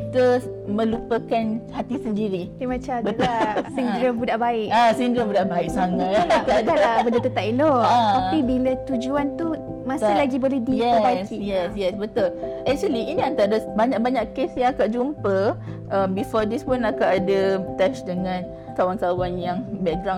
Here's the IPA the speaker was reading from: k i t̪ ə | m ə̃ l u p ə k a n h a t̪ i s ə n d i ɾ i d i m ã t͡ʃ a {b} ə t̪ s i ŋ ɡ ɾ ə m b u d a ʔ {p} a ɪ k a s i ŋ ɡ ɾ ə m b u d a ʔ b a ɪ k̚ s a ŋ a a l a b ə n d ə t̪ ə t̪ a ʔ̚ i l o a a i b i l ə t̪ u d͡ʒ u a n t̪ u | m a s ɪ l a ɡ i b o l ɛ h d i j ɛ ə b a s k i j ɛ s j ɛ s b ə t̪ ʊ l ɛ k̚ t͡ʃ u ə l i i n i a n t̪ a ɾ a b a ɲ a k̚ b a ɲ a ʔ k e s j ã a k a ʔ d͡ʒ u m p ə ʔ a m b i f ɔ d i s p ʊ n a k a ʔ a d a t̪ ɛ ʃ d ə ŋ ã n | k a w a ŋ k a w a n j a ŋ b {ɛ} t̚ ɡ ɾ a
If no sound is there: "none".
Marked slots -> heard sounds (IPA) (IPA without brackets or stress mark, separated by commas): b, b, ɛ